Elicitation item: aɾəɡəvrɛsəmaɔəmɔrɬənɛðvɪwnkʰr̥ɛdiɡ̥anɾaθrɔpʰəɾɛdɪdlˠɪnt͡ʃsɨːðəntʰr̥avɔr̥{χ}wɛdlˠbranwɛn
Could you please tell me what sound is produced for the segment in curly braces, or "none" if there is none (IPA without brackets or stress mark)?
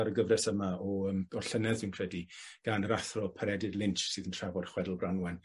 χ